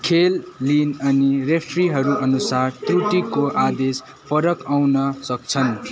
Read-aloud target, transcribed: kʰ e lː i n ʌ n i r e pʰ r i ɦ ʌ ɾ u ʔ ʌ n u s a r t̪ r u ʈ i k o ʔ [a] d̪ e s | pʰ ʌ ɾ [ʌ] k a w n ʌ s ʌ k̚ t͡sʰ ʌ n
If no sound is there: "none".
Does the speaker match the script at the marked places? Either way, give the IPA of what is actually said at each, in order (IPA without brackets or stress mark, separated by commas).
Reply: a, ʌ